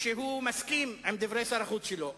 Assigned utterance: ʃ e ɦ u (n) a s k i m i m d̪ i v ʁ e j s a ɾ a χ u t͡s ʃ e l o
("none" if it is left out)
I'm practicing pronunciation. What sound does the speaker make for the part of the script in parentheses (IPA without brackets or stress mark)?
m